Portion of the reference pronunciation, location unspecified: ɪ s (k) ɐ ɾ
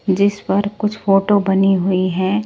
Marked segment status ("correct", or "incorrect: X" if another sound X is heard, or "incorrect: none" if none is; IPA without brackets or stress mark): incorrect: p